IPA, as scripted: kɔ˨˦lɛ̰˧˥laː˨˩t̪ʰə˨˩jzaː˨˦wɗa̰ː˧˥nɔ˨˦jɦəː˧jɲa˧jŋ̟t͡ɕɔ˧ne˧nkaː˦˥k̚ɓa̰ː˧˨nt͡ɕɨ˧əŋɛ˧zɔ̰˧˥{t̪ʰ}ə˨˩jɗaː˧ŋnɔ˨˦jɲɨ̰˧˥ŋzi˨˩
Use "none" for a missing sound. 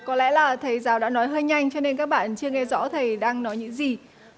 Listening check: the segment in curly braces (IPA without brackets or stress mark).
t̪ʰ